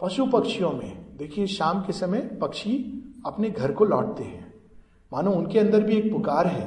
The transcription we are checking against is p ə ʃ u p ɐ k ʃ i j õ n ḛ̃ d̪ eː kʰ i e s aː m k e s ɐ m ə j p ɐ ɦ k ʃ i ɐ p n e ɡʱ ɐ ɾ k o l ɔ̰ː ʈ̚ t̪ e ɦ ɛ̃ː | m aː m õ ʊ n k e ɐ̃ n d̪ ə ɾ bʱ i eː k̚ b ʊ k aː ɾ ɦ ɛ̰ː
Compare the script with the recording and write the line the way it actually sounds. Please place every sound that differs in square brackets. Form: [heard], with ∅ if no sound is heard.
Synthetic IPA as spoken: p [ɐ] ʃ u p ɐ k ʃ i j õ [m] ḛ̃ d̪ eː kʰ i e [ʃ] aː m k e s ɐ m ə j p ɐ [∅] k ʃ i ɐ p n e ɡʱ ɐ ɾ k o l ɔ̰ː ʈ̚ t̪ e ɦ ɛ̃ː | m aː [n] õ ʊ n k e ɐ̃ n d̪ ə ɾ bʱ i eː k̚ [p] ʊ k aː ɾ ɦ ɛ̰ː